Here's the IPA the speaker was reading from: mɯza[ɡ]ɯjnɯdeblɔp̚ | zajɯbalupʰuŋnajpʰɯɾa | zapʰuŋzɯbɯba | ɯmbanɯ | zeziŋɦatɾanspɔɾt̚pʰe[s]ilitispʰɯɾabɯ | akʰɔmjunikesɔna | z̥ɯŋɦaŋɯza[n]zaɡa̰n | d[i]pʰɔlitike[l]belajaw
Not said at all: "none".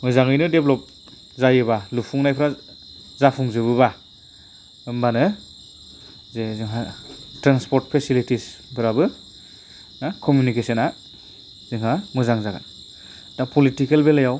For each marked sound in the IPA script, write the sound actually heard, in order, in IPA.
ŋ, s, ŋ, a, l

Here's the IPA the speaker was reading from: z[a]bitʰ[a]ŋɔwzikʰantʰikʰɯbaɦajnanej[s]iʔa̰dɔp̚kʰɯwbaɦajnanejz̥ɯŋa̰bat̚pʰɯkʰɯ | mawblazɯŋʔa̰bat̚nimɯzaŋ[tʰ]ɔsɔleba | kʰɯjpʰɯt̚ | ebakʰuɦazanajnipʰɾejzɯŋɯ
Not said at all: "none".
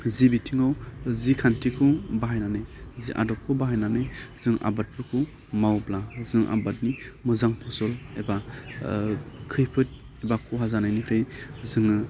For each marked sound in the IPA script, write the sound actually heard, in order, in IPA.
i, i, z, pʰ

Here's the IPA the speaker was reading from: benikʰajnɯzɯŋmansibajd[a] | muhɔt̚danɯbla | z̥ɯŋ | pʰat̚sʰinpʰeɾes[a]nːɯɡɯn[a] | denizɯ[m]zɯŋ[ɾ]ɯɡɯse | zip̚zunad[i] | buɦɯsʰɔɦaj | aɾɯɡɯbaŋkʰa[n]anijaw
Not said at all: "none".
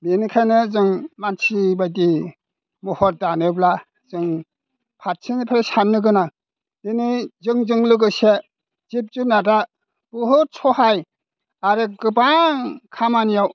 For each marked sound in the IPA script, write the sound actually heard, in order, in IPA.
i, a, a, ŋ, l, a, m

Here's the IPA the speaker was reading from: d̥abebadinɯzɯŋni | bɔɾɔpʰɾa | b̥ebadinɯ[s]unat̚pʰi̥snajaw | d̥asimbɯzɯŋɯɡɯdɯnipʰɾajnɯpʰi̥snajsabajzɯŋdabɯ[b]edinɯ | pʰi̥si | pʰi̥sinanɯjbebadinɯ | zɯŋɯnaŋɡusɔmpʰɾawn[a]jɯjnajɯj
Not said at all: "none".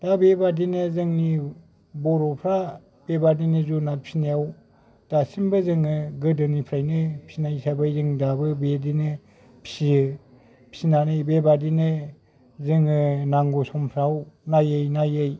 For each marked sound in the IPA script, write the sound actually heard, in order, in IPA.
z, b, a

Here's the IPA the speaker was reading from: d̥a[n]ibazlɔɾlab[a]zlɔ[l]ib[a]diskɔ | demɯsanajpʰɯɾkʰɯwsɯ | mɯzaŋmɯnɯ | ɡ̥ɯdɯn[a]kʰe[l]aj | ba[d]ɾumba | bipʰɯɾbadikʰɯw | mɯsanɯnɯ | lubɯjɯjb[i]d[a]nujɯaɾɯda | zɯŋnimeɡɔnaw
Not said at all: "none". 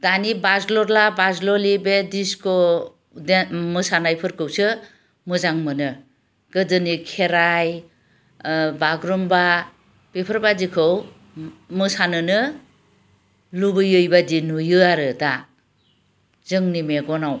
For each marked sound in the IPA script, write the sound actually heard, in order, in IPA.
n, a, l, e, i, ɾ, ɡ, a, i

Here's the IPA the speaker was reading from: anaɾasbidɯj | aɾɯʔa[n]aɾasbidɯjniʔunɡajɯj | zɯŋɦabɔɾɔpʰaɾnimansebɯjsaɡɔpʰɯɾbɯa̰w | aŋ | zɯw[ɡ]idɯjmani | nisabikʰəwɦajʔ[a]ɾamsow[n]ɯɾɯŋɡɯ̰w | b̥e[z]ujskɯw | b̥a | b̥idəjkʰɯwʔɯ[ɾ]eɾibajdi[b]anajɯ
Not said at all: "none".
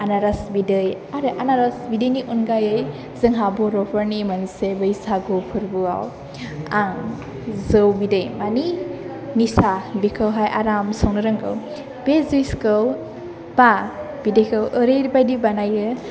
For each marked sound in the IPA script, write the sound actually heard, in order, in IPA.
n, b, a, n, z, ɾ, b

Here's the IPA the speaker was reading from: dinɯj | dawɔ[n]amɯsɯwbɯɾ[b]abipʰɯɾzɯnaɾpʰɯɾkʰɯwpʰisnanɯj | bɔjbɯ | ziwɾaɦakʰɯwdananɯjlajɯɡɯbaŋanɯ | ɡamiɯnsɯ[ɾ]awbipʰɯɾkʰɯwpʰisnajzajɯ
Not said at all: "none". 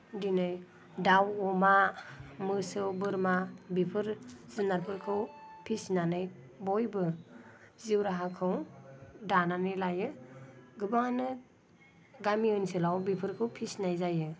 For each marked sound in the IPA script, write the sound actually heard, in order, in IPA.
m, m, l

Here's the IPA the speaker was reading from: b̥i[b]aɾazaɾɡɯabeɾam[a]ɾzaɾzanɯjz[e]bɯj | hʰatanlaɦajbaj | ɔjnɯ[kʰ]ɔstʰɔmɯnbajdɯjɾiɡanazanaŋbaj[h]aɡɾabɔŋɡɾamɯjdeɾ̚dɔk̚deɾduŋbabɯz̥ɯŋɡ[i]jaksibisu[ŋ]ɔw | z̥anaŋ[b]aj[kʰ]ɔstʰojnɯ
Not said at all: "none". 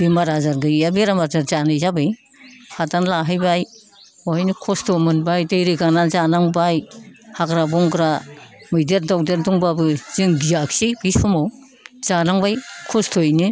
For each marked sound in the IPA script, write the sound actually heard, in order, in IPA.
m, a, a, kʰ, h, i, m, b, kʰ

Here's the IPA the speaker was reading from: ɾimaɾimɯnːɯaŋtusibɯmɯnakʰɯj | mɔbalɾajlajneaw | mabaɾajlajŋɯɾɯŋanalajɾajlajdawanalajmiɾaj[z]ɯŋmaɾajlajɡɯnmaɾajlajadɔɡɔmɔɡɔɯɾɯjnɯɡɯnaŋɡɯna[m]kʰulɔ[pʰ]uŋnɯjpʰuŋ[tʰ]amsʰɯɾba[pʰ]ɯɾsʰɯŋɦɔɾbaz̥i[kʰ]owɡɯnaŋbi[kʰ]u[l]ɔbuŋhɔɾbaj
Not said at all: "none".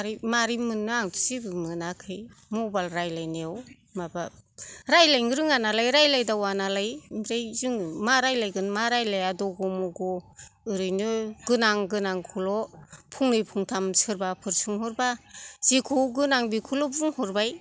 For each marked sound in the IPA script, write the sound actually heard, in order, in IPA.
z, ŋ, pʰ, tʰ, pʰ, kʰ, kʰ, l

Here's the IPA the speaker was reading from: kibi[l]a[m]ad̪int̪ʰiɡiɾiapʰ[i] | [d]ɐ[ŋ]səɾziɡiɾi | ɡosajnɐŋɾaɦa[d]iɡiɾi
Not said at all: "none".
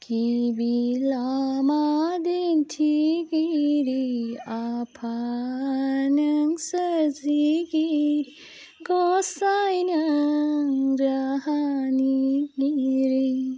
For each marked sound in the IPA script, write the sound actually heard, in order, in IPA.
l, m, a, n, ŋ, n

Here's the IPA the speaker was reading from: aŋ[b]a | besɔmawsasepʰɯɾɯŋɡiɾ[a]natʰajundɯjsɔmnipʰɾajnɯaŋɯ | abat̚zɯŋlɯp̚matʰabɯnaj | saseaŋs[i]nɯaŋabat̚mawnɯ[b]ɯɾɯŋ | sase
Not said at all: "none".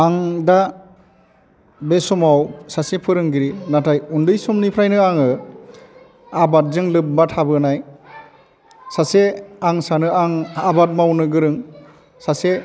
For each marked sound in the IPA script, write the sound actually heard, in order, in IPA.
d, i, a, ɡ

